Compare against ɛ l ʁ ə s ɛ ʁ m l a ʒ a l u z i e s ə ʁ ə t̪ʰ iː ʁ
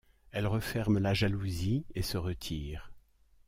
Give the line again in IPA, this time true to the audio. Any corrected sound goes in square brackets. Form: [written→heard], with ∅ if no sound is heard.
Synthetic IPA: ɛ l ʁ ə [s→f] ɛ ʁ m l a ʒ a l u z i e s ə ʁ ə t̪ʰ iː ʁ